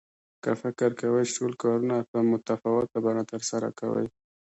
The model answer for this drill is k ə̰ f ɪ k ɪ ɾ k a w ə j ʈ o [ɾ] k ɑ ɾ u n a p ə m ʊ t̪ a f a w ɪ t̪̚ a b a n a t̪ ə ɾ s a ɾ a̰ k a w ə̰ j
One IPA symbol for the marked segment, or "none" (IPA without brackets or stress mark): l